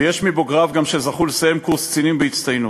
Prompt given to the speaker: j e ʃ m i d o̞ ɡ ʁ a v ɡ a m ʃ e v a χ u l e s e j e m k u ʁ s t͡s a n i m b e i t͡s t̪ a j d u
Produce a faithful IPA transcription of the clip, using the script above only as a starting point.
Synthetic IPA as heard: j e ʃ m i b o̞ ɡ ʁ a v ɡ a m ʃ e z a χ u l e s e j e m k u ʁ s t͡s i n i m b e i t͡s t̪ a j n u